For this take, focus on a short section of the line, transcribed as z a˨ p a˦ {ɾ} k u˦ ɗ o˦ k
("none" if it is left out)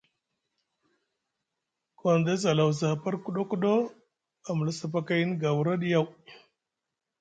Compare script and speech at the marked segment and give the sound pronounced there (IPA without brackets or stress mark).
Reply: ɾ